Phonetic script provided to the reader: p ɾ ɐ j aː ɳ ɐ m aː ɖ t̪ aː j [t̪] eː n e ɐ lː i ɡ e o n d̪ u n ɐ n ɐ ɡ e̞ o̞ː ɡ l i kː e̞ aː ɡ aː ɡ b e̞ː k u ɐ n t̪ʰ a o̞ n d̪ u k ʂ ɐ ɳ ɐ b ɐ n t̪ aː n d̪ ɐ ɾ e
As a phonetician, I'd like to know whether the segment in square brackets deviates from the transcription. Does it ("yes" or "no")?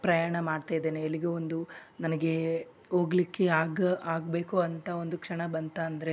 yes